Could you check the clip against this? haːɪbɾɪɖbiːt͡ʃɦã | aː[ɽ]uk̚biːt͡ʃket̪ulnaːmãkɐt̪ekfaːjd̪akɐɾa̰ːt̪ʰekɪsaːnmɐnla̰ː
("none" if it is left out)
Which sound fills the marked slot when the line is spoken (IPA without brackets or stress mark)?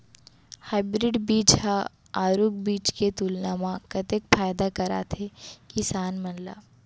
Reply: ɾ